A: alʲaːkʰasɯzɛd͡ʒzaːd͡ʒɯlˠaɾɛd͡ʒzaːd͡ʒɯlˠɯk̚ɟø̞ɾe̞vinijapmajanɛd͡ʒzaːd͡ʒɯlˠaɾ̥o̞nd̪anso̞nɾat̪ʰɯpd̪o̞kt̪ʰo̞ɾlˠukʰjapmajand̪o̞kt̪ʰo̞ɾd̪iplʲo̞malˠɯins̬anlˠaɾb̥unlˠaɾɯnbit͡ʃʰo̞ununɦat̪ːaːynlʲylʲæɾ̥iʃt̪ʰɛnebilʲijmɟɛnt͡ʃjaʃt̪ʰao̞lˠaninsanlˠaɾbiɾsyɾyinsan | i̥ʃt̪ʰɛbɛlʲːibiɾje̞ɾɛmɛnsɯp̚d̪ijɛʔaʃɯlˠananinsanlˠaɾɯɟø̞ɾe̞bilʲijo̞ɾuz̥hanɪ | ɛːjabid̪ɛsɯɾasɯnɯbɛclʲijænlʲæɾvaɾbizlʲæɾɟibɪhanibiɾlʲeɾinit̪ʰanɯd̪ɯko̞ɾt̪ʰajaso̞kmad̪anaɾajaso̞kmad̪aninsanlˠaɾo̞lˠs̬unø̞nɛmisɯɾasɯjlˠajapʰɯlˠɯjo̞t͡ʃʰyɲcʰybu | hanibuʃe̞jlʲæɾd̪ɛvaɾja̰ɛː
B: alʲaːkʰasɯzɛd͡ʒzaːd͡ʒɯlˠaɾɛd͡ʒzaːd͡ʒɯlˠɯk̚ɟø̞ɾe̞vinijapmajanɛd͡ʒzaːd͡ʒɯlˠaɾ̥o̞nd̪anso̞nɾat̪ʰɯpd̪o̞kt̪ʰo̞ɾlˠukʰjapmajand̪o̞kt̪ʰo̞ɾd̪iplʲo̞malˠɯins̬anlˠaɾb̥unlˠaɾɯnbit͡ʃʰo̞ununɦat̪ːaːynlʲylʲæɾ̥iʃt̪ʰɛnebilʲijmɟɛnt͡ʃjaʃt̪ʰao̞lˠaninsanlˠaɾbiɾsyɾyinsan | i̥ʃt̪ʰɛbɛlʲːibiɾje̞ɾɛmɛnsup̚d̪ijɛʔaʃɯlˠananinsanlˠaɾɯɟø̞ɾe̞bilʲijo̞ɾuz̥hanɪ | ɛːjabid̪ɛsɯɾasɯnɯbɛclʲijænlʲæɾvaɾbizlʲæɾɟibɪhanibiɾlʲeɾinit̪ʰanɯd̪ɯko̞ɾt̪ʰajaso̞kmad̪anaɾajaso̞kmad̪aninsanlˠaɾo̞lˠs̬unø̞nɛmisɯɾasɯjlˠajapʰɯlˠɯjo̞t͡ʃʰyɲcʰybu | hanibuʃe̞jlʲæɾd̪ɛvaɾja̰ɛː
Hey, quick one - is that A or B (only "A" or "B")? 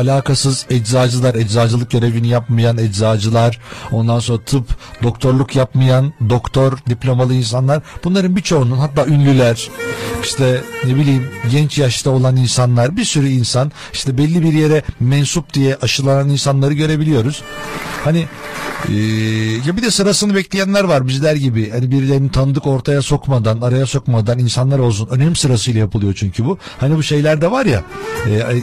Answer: B